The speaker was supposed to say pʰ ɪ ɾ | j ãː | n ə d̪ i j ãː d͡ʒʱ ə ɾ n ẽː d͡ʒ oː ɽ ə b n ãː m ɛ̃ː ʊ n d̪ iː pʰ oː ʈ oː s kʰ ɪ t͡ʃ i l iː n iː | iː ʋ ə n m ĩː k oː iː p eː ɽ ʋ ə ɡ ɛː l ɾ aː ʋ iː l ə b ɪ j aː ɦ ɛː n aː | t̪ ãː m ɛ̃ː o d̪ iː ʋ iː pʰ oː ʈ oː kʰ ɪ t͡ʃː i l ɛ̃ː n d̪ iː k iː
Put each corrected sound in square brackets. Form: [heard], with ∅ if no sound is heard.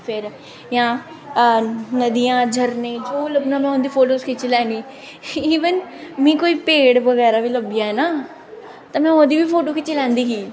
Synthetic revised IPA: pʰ ɪ ɾ | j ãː | n ə d̪ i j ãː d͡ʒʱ ə ɾ n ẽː d͡ʒ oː [l] ə b n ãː m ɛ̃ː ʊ n d̪ iː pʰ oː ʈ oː s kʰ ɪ t͡ʃ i l [ɛː] n iː | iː ʋ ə n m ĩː k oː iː p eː ɽ ʋ ə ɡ ɛː [∅] ɾ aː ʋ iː l ə b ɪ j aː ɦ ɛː n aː | t̪ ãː m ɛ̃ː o d̪ iː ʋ iː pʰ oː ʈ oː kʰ ɪ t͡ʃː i l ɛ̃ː n d̪ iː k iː